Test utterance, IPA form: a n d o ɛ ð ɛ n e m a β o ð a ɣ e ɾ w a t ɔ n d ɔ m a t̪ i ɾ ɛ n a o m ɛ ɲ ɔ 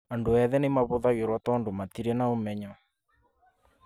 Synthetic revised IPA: a n d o ɛ ð ɛ n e m a β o ð a ɣ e ɾ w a t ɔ n d o m a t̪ i ɾ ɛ n a o m ɛ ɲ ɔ